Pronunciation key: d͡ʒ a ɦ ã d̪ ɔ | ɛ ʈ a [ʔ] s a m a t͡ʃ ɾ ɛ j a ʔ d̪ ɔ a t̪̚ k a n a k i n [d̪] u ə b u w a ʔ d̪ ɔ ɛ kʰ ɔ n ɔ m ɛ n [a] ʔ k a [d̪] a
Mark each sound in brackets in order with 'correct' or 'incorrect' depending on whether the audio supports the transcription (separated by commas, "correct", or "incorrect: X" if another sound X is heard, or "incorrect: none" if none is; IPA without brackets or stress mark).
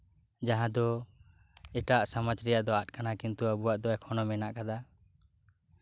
correct, incorrect: t̪, correct, correct